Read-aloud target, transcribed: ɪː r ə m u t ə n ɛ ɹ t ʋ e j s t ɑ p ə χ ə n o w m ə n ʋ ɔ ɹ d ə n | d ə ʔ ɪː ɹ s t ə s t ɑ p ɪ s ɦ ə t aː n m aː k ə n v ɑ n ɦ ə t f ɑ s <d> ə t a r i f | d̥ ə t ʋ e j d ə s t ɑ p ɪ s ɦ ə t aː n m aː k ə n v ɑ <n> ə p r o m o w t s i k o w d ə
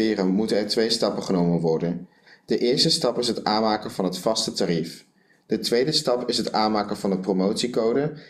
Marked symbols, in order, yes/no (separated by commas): no, yes